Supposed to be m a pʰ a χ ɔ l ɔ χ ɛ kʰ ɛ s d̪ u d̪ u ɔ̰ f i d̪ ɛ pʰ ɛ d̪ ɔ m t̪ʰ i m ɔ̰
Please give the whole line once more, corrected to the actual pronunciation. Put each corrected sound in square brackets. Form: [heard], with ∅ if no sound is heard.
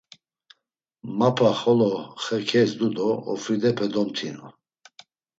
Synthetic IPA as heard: m a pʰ a χ ɔ l ɔ χ ɛ kʰ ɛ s d̪ u d̪ [ɔ] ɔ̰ f i d̪ ɛ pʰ ɛ d̪ ɔ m t̪ʰ i [n] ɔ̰